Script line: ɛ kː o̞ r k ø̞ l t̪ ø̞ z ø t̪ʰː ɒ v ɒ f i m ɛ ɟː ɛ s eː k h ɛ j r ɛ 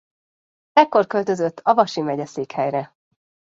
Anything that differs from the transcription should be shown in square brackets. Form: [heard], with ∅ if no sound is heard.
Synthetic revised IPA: ɛ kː o̞ r k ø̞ l t̪ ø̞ z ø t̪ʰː ɒ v ɒ [ʃ] i m ɛ [ɟ] ɛ s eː k h ɛ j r ɛ